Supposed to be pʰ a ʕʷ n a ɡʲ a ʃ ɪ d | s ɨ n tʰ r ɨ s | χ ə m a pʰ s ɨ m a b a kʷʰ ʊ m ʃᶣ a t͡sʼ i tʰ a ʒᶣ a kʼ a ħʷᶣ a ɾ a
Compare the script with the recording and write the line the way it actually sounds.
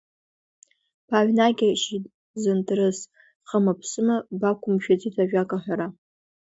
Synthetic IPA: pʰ a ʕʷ n a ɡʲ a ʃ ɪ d | z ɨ n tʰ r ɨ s | χ ə m a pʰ s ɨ m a b a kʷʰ ʊ m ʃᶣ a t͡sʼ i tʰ a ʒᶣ a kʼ a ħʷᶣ a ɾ a